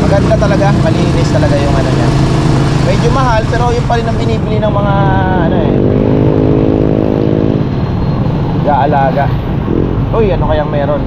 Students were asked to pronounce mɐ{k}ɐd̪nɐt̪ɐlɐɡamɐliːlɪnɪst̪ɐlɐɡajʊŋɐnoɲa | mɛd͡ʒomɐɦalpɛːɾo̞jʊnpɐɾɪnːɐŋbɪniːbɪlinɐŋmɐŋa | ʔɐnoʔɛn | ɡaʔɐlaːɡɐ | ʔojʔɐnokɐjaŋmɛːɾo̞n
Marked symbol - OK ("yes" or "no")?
no